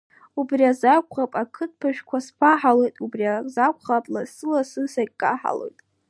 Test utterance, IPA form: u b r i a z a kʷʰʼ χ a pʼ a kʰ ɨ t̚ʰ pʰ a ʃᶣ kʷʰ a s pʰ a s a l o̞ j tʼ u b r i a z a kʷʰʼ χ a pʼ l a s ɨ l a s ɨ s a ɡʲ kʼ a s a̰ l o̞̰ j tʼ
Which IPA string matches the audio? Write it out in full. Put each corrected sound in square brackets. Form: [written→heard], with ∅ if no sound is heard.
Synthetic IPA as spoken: u b r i a z a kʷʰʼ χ a pʼ a kʰ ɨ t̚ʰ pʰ a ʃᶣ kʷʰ a s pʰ a [s→ħ] a l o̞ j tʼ u b r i a z a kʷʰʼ χ a pʼ l a s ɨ l a s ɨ s a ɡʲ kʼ a [s→ħ] a̰ l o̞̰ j tʼ